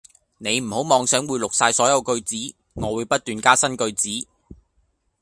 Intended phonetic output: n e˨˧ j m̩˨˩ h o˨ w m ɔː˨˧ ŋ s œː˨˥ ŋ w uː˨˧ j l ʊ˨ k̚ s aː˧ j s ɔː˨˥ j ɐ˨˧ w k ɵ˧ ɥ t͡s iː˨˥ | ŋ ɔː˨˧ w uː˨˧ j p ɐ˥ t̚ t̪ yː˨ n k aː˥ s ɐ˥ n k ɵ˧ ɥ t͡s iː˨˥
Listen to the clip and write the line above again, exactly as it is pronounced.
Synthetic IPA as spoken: n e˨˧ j m̩˨˩ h o˨˥ w m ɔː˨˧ ŋ s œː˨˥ ŋ w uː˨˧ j l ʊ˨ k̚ s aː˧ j s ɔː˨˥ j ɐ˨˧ w k ɵ˧ ɥ t͡s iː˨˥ | ŋ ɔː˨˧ w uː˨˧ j p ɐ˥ t̚ t̪ yː˨ n k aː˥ s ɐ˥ n k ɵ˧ ɥ t͡s iː˨˥